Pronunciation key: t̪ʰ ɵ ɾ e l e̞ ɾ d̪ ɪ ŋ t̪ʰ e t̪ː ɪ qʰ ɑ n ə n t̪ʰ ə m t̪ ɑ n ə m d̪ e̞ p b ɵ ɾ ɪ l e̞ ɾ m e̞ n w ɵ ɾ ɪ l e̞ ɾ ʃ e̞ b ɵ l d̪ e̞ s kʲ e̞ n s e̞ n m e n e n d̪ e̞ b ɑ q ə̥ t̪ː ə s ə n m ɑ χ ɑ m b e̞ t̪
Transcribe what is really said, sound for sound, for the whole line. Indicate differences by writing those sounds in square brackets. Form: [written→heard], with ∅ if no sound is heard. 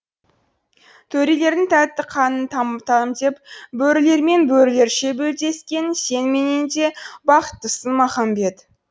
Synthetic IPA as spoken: t̪ʰ ɵ ɾ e l e̞ ɾ d̪ ɪ ŋ t̪ʰ [e→æ] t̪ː ɪ qʰ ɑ n ə n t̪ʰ [ə→ɑ] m t̪ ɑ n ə m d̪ e̞ p b ɵ ɾ ɪ l e̞ ɾ m e̞ n [w→b] ɵ ɾ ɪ l e̞ ɾ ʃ e̞ b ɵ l d̪ e̞ s kʲ e̞ n s e̞ n m e n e n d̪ e̞ b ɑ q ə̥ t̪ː ə s ə n m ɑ χ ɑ m b e̞ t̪